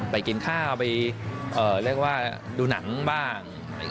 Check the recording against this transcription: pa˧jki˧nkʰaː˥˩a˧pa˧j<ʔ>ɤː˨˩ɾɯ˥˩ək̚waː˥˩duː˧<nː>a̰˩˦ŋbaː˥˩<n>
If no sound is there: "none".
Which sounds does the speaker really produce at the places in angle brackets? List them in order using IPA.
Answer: ʔ, n, ŋ

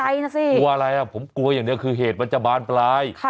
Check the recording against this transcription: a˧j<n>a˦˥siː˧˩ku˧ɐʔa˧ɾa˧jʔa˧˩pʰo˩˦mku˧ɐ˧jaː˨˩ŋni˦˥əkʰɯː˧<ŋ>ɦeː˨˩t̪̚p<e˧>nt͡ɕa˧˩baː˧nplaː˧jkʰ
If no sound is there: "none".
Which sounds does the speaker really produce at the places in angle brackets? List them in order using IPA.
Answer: n, none, a˧

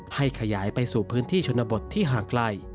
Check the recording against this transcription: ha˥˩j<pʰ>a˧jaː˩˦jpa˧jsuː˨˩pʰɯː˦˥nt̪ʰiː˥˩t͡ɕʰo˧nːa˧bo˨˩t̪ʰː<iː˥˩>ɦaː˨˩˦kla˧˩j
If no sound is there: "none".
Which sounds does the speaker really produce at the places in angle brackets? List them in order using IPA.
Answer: kʰ, iː˥˩

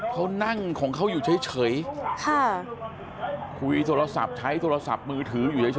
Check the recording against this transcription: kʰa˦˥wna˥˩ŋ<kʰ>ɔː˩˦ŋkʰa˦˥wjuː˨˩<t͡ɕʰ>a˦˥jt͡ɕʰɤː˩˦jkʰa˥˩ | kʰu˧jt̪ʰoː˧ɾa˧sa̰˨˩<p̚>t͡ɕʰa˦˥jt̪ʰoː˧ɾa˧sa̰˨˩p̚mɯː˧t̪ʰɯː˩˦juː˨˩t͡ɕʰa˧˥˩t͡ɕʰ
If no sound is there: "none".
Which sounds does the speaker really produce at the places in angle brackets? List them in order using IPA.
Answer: kʰ, t͡ɕʰ, p̚

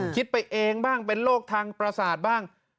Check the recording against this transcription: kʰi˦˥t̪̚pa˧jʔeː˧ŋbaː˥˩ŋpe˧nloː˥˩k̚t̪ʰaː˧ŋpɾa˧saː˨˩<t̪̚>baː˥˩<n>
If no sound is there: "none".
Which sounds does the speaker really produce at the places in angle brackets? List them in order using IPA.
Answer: t̪̚, ŋ

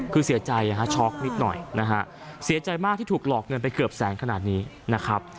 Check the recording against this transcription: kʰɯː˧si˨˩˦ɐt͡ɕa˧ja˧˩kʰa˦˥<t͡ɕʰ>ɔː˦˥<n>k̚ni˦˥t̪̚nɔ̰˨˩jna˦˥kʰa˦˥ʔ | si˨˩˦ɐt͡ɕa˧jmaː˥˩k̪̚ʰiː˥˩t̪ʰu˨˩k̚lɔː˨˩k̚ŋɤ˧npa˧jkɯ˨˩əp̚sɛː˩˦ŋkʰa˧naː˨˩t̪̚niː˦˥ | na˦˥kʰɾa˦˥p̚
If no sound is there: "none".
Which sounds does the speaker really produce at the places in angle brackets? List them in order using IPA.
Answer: t͡ɕʰ, none

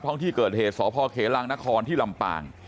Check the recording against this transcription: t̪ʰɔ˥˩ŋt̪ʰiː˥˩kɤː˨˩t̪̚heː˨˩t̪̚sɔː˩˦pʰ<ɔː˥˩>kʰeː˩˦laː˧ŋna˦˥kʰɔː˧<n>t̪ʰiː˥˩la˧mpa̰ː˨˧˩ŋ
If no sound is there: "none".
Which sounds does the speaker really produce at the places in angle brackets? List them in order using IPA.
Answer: ɔː˧, n

